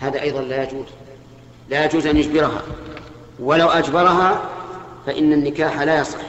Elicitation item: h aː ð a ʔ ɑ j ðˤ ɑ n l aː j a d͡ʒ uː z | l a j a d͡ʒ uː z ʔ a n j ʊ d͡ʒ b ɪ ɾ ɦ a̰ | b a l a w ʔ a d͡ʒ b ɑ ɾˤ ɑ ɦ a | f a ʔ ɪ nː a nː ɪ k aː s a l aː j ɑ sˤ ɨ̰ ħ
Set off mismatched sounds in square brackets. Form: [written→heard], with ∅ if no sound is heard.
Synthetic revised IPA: h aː ð a ʔ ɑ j ðˤ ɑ n l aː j a d͡ʒ uː z | l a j a d͡ʒ uː z ʔ a n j ʊ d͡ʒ b ɪ ɾ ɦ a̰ | [b→w] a l a w ʔ a d͡ʒ b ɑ ɾˤ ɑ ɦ a | f a ʔ ɪ nː a nː ɪ k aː [s→ħ] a l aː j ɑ sˤ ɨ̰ ħ